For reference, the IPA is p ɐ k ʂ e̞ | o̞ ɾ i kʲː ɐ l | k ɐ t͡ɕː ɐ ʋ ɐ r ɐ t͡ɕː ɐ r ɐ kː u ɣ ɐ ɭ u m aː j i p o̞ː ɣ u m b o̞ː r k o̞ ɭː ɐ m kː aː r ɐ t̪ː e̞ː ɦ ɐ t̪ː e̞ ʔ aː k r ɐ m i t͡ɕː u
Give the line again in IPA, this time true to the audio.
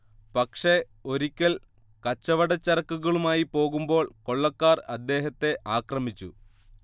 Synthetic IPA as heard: p ɐ k ʂ e̞ | o̞ ɾ i kʲː ɐ l | k ɐ t͡ɕː ɐ ʋ ɐ ɽ ɐ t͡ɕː ɐ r ɐ kː u ɣ ɐ ɭ u m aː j i p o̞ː ɣ u m b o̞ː ɭ k o̞ ɭː ɐ kː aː r ɐ d̪ː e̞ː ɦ ɐ t̪ː e̞ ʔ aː k r ɐ m i t͡ɕː u